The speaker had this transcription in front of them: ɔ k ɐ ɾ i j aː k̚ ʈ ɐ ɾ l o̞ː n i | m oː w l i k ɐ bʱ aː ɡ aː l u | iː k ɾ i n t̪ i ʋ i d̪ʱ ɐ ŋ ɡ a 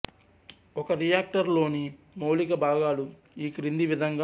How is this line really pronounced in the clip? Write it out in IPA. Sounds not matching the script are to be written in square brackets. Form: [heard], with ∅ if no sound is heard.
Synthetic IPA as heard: ɔ k ɐ ɾ i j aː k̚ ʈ ɐ ɾ l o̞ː n i | m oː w l i k ɐ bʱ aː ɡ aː l u | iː k ɾ i n [d̪] i ʋ i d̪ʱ ɐ ŋ ɡ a

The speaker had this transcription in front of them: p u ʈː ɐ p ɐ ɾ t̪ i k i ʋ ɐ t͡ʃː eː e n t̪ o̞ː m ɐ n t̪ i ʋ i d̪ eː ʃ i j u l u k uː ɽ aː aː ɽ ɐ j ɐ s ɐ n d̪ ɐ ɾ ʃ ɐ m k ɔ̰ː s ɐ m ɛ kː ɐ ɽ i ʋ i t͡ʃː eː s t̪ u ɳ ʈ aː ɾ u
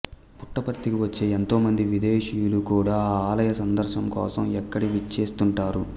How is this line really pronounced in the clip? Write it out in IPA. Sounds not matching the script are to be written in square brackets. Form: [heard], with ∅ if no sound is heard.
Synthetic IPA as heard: p u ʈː ɐ p ɐ ɾ t̪ i k i ʋ ɐ t͡ʃː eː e n t̪ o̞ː m ɐ n [d̪] i ʋ i d̪ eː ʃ i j u l u k uː ɽ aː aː [l] ɐ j ɐ s ɐ n d̪ ɐ ɾ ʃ ɐ m k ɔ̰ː s ɐ m ɛ kː ɐ ɽ i ʋ i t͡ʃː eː s t̪ u ɳ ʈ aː ɾ u

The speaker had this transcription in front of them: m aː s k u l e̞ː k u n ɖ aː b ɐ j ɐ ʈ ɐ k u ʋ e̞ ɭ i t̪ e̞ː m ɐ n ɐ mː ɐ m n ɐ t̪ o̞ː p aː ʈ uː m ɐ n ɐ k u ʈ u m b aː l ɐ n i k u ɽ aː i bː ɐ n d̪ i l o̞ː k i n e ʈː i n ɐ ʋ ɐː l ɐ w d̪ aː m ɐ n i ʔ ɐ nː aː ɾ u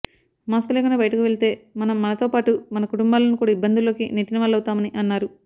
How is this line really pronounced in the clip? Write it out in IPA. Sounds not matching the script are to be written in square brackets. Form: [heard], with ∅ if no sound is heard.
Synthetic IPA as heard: m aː s k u l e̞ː k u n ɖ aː b ɐ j ɐ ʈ ɐ k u ʋ e̞ ɭ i t̪ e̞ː m ɐ n ɐ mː ɐ [∅] n ɐ t̪ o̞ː p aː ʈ [u] m ɐ n ɐ k u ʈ u m b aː l ɐ n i k [uː] ɽ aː i bː ɐ n d̪ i l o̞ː k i n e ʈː i n ɐ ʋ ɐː l ɐ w [t̪] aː m ɐ n i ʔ ɐ nː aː ɾ u

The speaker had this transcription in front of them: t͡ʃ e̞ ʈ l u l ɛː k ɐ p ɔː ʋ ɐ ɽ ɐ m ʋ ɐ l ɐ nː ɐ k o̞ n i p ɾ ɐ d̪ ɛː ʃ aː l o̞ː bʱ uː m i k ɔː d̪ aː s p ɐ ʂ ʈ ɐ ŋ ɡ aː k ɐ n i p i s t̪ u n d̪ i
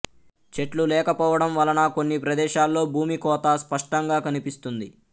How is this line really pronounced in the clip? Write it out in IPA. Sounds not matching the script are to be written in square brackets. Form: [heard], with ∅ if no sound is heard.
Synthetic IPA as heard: t͡ʃ e̞ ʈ l u l ɛː k ɐ p ɔː ʋ ɐ ɽ ɐ m ʋ ɐ l ɐ [n] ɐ k o̞ [nː] i p ɾ ɐ d̪ ɛː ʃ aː [lː] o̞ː bʱ uː m i k ɔː [t̪] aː s p ɐ ʂ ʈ ɐ ŋ ɡ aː k ɐ n i p i s t̪ u n d̪ i

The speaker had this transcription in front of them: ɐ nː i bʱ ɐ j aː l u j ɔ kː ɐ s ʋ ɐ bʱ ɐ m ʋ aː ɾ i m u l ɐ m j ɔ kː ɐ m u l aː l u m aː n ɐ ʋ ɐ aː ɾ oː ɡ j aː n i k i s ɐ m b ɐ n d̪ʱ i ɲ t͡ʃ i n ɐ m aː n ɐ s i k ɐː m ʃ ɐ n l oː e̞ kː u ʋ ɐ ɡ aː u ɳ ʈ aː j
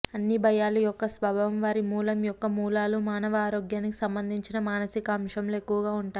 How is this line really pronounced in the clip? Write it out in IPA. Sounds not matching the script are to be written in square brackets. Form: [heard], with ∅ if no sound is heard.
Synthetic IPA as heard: ɐ nː i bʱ ɐ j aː l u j ɔ kː ɐ s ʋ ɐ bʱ ɐ m ʋ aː ɾ i m [uː] l ɐ m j ɔ kː ɐ m [uː] l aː l u m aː n ɐ ʋ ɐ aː ɾ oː ɡ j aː n i k i s ɐ m b ɐ n d̪ʱ i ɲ t͡ʃ i n ɐ m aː n ɐ s i k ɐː m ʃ ɐ [m] l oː e̞ kː u ʋ ɐ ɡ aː u ɳ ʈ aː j

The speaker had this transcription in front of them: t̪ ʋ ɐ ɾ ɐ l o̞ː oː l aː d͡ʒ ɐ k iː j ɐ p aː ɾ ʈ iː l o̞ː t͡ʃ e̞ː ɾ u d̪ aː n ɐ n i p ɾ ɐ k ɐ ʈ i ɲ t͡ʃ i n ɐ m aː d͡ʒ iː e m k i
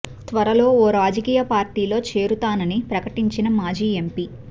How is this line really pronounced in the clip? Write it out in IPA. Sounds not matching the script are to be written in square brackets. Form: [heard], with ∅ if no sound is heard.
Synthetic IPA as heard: t̪ ʋ ɐ ɾ ɐ l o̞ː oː [ɾ] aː d͡ʒ ɐ k iː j ɐ p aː ɾ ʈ iː l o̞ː t͡ʃ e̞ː ɾ u [t̪] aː n ɐ n i p ɾ ɐ k ɐ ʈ i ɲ t͡ʃ i n ɐ m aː d͡ʒ iː e m [p] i

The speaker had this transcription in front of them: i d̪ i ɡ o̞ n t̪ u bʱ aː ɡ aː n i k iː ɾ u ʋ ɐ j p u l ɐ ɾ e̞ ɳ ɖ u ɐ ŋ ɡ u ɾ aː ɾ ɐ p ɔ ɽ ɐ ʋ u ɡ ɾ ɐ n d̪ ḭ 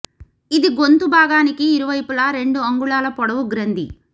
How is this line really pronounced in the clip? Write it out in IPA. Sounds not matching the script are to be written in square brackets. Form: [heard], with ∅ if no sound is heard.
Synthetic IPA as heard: i d̪ i ɡ o̞ n t̪ u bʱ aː ɡ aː n i k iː ɾ u ʋ ɐ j p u l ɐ ɾ e̞ ɳ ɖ u ɐ ŋ ɡ u [ɭ] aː [l] ɐ p ɔ ɽ ɐ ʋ u ɡ ɾ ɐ n d̪ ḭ

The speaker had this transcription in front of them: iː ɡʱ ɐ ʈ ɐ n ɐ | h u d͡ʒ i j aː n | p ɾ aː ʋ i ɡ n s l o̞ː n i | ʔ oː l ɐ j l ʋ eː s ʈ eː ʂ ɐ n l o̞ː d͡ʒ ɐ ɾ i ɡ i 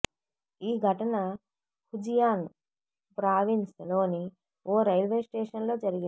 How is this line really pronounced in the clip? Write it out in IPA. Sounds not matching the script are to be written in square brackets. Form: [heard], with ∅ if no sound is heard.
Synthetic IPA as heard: iː ɡʱ ɐ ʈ ɐ n ɐ | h u d͡ʒ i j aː n | p ɾ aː ʋ i [∅] n s l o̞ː n i | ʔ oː [ɾ] ɐ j l ʋ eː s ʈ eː ʂ ɐ n l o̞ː d͡ʒ ɐ ɾ i ɡ i

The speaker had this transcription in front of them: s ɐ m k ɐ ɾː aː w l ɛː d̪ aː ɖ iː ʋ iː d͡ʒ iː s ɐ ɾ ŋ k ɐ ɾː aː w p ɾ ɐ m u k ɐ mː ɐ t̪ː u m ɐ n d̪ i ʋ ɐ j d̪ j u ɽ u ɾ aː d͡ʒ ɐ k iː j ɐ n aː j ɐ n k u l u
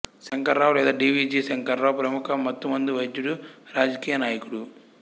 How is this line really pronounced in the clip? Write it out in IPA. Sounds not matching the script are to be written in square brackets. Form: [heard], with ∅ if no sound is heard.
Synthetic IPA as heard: s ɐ [ŋ] k ɐ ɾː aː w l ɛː d̪ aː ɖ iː ʋ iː d͡ʒ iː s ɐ [∅] ŋ k ɐ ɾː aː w p ɾ ɐ m u k ɐ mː ɐ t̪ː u m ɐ n d̪ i ʋ ɐ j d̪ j u ɽ u ɾ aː d͡ʒ ɐ k iː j ɐ n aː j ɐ [∅] k u [ɽ] u

